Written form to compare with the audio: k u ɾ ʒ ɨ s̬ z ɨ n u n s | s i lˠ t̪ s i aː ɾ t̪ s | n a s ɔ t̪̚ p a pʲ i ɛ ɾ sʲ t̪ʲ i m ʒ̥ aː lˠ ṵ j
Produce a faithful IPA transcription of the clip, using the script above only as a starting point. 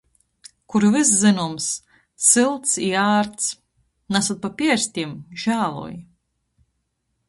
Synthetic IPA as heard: k u ɾ v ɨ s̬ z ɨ n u m s | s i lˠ t̪ s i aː ɾ t̪ s | n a s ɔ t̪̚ p a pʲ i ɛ ɾ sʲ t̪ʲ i m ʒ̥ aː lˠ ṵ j